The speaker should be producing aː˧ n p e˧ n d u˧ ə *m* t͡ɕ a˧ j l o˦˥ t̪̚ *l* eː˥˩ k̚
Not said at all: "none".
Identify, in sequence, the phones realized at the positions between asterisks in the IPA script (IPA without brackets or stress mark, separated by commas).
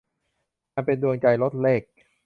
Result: ŋ, l